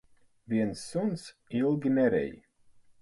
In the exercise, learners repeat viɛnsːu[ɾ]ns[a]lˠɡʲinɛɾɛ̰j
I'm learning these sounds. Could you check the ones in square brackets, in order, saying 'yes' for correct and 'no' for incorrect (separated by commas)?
no, no